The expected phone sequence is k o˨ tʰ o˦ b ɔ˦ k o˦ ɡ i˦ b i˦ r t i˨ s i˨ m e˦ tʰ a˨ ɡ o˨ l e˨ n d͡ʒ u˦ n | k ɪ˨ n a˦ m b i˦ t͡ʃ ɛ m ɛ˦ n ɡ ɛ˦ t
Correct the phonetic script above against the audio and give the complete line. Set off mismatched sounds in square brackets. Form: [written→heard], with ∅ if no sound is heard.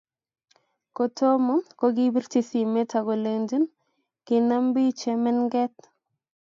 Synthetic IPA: k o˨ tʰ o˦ [b→m] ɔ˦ k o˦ ɡ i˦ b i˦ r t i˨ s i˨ m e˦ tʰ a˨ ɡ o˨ l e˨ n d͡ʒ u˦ n | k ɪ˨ n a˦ m b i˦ t͡ʃ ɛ m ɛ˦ n ɡ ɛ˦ t